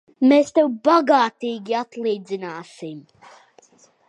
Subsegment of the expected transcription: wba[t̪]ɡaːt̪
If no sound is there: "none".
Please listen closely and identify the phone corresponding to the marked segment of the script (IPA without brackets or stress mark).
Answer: none